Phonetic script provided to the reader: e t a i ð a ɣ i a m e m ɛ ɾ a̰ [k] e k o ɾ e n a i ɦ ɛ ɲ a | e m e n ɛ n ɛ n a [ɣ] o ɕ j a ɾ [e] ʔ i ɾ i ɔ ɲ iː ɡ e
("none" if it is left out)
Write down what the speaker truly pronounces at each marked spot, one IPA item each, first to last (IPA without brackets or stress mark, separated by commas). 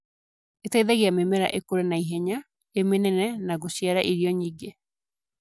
ʔ, ɣ, a